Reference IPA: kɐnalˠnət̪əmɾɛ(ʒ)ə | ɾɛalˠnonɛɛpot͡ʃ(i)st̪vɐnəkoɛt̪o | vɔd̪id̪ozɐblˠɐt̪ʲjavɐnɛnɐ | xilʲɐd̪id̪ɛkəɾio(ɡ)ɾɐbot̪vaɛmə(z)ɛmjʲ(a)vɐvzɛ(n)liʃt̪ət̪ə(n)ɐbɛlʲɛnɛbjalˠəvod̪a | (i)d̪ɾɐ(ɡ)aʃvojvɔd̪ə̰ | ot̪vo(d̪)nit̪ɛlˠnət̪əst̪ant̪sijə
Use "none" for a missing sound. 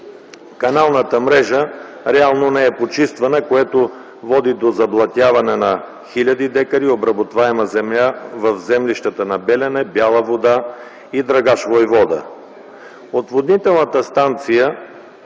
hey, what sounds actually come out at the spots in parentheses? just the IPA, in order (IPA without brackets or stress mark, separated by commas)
ʒ, i, b, z, a, m, n, i, ɡ, d̪